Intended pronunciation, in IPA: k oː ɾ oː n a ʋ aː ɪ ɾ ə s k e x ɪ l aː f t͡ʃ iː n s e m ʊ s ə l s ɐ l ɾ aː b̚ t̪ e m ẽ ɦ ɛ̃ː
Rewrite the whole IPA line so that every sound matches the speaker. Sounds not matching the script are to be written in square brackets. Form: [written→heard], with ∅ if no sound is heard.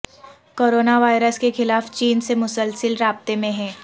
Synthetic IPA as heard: k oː ɾ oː n a ʋ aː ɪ ɾ ə s k e x ɪ l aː f t͡ʃ iː n s e m ʊ s ə l s [ɐ→ə] l ɾ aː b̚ t̪ e m ẽ ɦ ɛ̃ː